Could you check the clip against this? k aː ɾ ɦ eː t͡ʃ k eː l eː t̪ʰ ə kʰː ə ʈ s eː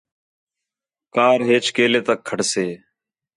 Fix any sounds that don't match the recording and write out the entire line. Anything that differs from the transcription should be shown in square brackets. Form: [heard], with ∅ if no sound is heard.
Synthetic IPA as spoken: k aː ɾ ɦ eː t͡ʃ k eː l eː [t̪] ə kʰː ə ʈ s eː